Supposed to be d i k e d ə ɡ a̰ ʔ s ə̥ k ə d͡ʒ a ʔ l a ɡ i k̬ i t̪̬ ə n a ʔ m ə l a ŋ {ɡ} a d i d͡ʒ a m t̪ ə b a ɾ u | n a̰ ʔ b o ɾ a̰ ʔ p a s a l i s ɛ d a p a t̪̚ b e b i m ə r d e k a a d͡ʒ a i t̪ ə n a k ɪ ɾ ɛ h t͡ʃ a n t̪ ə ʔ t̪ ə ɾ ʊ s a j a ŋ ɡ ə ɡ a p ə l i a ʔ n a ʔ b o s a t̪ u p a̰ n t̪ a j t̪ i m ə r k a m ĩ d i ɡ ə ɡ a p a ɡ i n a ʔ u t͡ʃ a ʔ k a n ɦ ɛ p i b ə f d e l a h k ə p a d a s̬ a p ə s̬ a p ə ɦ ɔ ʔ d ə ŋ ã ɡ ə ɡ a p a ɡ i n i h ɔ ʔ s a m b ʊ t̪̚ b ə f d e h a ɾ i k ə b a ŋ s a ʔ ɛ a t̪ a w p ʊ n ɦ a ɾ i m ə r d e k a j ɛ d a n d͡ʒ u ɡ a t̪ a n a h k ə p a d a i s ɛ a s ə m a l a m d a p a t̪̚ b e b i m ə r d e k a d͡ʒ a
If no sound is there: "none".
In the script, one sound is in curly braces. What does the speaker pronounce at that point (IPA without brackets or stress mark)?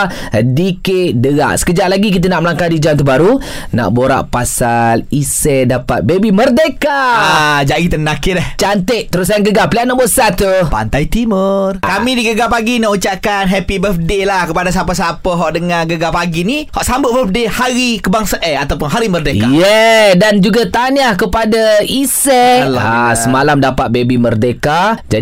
k